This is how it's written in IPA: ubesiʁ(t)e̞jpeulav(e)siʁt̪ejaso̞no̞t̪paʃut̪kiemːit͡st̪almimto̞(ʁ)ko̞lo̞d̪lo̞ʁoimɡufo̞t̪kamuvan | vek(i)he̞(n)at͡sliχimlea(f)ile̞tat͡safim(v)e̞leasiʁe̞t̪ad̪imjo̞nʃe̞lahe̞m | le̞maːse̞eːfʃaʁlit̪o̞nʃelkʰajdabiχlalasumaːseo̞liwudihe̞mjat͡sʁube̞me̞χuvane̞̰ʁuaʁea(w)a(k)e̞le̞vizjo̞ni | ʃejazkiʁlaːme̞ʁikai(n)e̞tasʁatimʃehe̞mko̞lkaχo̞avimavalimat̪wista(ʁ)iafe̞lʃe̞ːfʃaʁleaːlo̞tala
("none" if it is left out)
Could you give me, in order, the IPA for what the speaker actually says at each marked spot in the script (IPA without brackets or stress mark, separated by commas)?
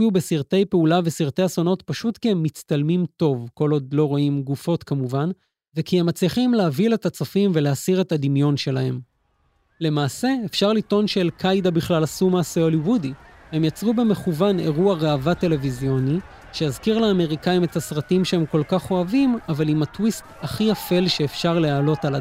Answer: t, e, v, i, m, v, v, v, t, m, χ